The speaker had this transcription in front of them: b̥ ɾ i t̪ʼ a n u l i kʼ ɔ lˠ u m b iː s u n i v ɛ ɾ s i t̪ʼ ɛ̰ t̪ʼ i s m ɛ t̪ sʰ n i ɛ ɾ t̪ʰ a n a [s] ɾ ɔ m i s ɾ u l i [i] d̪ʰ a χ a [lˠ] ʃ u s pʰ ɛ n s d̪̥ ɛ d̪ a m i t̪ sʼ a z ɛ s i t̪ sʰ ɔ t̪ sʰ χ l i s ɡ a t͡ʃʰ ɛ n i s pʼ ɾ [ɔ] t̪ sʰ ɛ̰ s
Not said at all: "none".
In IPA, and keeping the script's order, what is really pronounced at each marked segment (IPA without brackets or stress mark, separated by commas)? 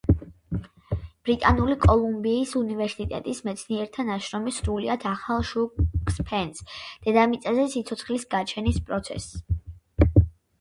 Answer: ʃ, a, lˠ, ɔ